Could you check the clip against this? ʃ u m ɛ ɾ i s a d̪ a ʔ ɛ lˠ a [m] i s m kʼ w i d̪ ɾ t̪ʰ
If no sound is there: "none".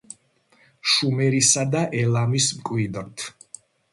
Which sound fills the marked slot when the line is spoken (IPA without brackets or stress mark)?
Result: m